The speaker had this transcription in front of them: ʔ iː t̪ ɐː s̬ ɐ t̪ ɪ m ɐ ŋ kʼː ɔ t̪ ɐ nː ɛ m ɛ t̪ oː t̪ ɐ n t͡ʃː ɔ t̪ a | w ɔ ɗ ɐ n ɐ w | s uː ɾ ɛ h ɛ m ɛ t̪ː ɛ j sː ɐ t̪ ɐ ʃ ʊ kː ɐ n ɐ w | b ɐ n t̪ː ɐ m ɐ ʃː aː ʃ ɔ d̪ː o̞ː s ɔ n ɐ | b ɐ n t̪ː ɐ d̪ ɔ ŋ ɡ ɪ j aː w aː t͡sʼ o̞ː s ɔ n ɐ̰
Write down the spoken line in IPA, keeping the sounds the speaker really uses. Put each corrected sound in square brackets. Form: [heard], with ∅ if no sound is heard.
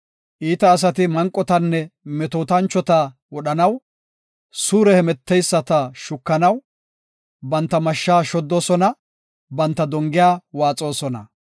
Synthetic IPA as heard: ʔ iː t̪ ɐː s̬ ɐ t̪ ɪ m ɐ ŋ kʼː ɔ t̪ ɐ nː ɛ m ɛ t̪ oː t̪ ɐ n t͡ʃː ɔ t̪ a | w ɔ ɗ ɐ n ɐ w | s uː ɾ ɛ h ɛ m ɛ t̪ː ɛ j sː ɐ t̪ ɐ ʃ ʊ kː ɐ n ɐ w | b ɐ n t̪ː ɐ m ɐ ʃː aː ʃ ɔ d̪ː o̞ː s ɔ n ɐ | b ɐ n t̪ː ɐ d̪ ɔ ŋ ɡ ɪ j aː w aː t͡sʼ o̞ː s ɔ n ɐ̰